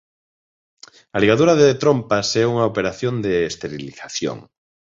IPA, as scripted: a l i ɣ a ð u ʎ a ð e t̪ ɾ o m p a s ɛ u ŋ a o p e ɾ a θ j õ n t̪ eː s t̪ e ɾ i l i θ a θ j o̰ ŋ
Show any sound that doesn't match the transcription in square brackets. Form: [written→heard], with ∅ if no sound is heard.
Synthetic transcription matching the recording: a l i ɣ a ð u [ʎ→ɾ] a ð e t̪ ɾ o m p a s ɛ u ŋ a o p e ɾ a θ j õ n [t̪→d̪] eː s t̪ e ɾ i l i θ a θ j o̰ ŋ